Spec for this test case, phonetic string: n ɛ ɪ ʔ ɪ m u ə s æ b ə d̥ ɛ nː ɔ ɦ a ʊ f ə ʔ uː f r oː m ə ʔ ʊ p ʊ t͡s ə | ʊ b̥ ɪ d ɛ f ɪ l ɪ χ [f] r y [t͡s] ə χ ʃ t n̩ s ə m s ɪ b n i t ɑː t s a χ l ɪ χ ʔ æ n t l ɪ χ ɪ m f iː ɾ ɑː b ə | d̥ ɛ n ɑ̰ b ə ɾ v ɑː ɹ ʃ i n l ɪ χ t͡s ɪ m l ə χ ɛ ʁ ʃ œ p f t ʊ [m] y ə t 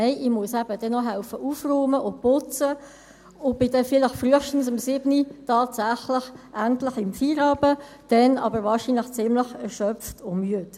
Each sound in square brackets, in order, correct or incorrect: correct, incorrect: none, correct

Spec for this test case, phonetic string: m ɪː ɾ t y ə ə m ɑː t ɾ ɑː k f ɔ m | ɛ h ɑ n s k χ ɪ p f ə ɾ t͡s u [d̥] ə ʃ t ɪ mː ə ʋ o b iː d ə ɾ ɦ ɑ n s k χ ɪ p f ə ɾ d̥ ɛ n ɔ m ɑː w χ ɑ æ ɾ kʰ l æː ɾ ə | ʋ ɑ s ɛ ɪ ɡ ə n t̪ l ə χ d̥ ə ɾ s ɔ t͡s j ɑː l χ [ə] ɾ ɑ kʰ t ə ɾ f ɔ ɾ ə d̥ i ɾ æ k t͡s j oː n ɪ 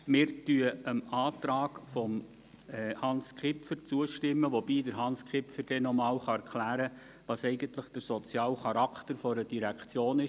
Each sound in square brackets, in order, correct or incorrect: incorrect: none, incorrect: ɑ

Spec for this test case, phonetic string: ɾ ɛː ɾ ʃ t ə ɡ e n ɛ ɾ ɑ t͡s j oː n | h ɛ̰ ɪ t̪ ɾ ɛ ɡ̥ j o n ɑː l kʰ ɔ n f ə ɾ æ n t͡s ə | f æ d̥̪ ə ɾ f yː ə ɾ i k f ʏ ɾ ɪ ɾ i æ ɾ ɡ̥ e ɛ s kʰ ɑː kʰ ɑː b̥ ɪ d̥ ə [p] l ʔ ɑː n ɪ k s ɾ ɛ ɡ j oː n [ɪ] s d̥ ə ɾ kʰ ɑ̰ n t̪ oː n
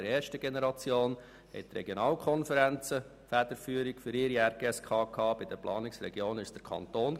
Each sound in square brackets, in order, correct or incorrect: correct, correct

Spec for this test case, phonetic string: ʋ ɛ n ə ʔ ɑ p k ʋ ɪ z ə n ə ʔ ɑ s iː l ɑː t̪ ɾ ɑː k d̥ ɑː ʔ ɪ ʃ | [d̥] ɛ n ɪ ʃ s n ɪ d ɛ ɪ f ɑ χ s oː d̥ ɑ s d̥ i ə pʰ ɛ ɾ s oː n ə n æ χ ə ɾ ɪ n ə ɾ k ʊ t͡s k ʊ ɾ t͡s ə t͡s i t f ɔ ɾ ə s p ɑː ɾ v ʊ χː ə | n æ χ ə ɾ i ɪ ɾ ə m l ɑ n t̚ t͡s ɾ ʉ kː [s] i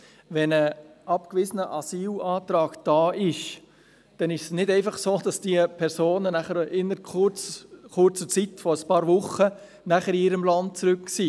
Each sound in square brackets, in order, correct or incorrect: correct, correct

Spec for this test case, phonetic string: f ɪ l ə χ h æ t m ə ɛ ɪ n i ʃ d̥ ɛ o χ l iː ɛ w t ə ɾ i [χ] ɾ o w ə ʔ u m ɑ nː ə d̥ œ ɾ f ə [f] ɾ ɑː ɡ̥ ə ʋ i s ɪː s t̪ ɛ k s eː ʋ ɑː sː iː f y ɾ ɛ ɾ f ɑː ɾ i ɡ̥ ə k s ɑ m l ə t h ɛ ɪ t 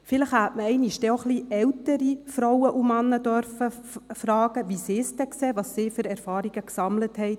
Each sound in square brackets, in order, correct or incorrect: incorrect: f, correct

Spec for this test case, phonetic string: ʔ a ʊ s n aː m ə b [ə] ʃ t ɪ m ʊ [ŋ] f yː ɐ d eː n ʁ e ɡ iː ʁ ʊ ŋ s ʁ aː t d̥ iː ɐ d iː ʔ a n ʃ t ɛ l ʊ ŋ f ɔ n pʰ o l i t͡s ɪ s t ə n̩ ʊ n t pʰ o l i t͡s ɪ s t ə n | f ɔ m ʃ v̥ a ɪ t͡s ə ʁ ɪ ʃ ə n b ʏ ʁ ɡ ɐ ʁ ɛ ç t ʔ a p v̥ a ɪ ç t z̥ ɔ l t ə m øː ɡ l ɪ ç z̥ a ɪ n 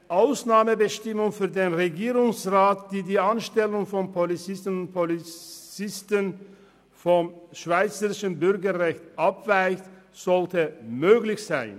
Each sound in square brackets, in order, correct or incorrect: correct, correct

